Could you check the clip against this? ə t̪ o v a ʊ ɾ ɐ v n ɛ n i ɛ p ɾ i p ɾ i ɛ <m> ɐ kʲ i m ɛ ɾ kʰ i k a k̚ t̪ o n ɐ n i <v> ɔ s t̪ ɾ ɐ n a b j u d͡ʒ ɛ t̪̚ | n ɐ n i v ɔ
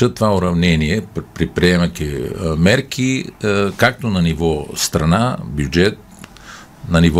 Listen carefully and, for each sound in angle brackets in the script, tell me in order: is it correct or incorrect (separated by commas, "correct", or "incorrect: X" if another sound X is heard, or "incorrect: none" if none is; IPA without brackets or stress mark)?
correct, correct